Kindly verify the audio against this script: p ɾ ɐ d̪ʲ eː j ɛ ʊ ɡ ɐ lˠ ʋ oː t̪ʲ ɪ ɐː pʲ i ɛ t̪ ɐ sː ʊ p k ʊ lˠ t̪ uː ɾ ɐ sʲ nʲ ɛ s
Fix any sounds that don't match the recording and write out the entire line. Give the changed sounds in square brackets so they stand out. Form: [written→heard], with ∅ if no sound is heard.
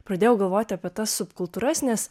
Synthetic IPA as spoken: p ɾ ɐ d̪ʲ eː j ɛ ʊ ɡ ɐ lˠ ʋ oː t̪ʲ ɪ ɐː pʲ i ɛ t̪ ɐ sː ʊ p k ʊ lˠ t̪ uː ɾ ɐ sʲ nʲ ɛ s